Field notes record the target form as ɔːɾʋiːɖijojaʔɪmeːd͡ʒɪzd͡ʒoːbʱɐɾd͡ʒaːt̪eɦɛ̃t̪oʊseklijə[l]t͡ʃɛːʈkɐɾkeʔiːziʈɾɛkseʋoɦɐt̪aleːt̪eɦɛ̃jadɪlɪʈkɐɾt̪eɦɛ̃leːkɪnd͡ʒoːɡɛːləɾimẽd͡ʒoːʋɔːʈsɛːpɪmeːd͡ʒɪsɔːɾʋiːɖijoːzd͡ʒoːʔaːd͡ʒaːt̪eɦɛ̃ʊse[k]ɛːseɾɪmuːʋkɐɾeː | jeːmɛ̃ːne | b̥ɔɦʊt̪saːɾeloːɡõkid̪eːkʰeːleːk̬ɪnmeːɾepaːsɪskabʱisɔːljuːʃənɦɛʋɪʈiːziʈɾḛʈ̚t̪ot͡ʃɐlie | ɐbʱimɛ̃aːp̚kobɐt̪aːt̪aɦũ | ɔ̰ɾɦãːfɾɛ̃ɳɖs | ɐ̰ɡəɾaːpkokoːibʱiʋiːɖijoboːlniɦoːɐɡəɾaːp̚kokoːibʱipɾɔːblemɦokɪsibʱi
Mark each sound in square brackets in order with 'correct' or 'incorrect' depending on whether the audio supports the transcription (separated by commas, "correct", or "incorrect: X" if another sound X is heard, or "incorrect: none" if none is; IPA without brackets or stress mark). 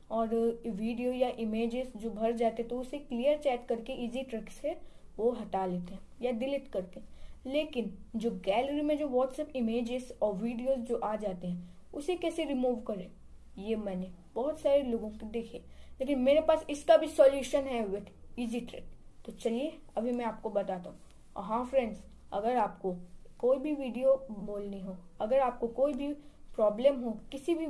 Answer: incorrect: ɾ, correct